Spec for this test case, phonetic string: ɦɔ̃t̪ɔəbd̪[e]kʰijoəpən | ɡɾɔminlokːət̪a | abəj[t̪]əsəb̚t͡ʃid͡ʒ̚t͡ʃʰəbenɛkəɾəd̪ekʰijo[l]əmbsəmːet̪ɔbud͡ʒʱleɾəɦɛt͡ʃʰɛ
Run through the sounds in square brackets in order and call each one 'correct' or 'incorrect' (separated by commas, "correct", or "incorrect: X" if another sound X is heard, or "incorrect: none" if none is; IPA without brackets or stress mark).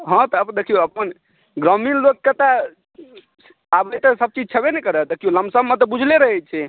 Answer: correct, correct, correct